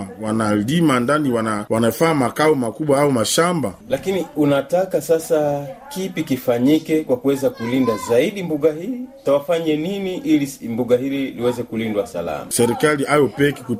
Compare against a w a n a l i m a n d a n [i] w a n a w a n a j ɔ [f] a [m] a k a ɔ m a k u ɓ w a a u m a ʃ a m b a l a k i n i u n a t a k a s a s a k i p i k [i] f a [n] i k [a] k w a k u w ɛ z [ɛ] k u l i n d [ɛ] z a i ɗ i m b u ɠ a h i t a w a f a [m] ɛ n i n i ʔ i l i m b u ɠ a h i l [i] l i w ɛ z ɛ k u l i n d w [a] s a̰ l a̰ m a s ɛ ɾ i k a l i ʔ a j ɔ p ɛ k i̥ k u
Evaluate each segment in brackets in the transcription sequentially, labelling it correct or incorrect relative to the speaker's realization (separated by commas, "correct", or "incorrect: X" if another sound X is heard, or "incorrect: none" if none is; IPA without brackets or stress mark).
correct, correct, correct, correct, incorrect: ɲ, incorrect: ɛ, incorrect: a, incorrect: a, incorrect: ɲ, correct, correct